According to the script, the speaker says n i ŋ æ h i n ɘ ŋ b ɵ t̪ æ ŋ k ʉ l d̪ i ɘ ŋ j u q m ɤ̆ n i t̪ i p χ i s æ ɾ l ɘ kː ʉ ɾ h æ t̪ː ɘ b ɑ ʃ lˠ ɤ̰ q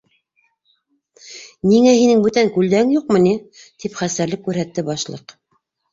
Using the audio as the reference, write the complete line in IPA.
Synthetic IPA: n i ŋ æ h i n ɘ ŋ b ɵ t̪ æ ŋ k ʉ l d̪ æ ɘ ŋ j u q m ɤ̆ n i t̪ i p χ æ s æ ɾ l ɘ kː ʉ ɾ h æ t̪ː ɘ b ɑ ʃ lˠ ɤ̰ q